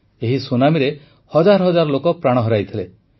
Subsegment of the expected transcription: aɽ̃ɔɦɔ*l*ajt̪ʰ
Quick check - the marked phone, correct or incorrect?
incorrect